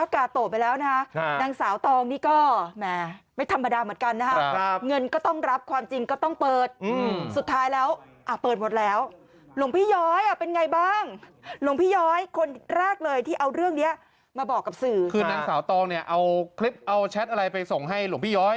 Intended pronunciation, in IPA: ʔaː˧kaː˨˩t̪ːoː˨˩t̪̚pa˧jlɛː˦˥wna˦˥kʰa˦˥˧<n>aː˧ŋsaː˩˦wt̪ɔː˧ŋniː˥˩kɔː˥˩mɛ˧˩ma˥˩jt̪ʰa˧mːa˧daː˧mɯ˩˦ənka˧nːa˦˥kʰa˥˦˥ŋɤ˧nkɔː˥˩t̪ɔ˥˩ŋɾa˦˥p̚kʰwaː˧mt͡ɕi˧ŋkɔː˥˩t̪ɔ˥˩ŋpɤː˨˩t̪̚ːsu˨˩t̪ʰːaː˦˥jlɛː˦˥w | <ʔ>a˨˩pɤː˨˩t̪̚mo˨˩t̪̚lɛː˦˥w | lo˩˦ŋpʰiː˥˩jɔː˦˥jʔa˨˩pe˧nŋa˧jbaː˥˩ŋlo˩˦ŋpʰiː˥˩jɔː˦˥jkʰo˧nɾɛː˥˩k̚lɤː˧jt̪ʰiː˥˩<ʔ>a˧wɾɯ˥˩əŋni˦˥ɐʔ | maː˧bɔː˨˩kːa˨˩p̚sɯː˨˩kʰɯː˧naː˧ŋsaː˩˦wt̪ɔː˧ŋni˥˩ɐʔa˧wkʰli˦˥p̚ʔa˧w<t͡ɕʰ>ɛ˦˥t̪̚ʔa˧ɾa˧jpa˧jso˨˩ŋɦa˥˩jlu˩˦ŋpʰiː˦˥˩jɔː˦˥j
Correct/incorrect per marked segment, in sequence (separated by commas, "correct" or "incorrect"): correct, correct, correct, correct